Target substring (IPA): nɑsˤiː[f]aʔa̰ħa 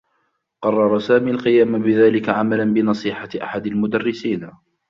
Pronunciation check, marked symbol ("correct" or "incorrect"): incorrect